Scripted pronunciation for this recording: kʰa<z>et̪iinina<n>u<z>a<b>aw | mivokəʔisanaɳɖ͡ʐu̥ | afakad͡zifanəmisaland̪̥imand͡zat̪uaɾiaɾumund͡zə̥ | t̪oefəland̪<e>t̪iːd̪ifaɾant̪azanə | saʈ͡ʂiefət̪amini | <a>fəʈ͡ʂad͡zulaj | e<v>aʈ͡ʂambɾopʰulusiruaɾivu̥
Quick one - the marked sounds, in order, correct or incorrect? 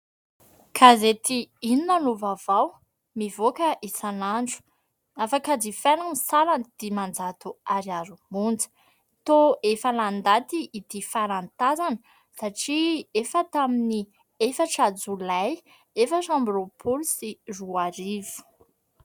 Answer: correct, correct, incorrect: v, incorrect: v, incorrect: a, incorrect: e, incorrect: f

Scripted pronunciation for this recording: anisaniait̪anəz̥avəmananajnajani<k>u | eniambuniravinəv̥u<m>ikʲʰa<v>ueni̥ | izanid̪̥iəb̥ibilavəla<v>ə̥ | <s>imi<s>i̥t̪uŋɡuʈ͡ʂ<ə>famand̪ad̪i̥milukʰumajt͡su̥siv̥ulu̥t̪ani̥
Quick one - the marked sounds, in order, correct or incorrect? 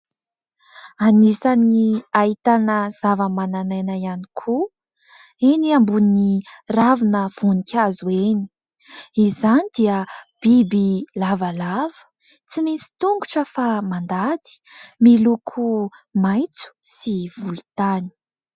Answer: incorrect: kʰ, incorrect: n, incorrect: z, correct, incorrect: t͡s, correct, correct

